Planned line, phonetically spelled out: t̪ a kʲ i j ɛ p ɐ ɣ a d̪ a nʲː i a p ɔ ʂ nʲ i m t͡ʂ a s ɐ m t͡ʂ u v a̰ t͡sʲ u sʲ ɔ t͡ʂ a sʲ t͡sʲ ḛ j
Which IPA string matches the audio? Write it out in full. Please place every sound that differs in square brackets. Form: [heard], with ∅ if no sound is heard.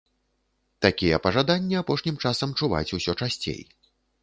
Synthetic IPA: t̪ a kʲ i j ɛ p ɐ [ʐ] a d̪ a nʲː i a p ɔ ʂ nʲ i m t͡ʂ a s ɐ m t͡ʂ u v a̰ t͡sʲ u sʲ ɔ t͡ʂ a sʲ t͡sʲ ḛ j

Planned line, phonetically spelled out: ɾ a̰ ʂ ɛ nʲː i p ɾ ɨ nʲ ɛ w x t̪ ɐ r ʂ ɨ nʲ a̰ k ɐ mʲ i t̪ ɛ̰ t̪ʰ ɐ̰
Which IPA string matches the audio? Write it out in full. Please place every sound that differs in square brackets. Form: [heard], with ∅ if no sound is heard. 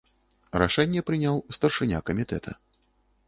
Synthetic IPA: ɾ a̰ ʂ ɛ nʲː [ɛ] p ɾ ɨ nʲ [a] w [s] t̪ ɐ r ʂ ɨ nʲ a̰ k ɐ mʲ i t̪ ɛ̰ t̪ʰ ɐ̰

